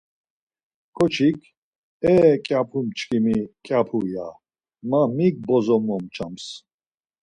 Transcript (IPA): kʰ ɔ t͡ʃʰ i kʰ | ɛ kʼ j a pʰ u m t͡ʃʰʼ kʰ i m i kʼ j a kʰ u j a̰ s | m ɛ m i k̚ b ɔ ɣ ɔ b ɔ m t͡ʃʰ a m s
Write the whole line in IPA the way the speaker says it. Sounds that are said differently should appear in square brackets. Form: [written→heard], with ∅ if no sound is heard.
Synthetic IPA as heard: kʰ ɔ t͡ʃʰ i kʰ | ɛ kʼ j a pʰ u m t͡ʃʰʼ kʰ i m i kʼ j a [kʰ→pʰ] u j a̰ [s→∅] | m [ɛ→a] m i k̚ b ɔ [ɣ→z] ɔ [b→m] ɔ m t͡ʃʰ a m s